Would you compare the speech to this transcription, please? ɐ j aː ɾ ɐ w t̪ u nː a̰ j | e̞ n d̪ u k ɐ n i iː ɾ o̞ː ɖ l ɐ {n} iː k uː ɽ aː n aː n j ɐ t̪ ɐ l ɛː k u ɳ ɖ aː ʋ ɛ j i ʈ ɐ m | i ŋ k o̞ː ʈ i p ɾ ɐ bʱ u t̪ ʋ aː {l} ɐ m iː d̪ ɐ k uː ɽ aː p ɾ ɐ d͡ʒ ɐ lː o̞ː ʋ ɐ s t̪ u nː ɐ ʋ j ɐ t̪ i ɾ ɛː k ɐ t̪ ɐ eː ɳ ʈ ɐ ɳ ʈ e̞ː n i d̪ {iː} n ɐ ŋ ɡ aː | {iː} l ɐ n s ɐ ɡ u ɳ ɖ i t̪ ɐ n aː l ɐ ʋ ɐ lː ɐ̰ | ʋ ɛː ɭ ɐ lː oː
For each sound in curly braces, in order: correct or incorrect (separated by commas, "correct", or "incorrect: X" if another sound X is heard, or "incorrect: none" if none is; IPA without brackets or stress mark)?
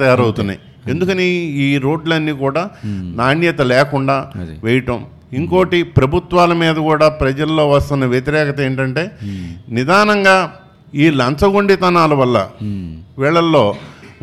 incorrect: nː, correct, incorrect: aː, correct